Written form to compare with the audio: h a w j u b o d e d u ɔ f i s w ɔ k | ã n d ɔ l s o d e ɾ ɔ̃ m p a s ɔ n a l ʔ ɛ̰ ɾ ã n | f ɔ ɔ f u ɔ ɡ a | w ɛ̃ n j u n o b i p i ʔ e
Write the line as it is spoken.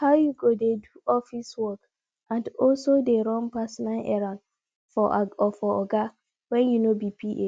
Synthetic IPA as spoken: h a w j u ɡ o d e d u ɔ f i s w ɔ k | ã n d ɔ l s o d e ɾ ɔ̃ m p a s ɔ n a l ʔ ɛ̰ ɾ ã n | f ɔ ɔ f ɔ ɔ ɡ a | w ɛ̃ n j u n o b i p i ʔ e